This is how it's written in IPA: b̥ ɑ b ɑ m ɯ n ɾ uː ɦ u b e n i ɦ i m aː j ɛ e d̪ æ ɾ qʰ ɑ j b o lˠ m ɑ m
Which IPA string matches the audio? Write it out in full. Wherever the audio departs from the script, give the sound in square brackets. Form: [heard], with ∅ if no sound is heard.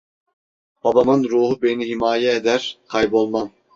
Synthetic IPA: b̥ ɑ b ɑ m ɯ n ɾ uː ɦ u b e n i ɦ i m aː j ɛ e d̪ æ ɾ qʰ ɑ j b o lˠ m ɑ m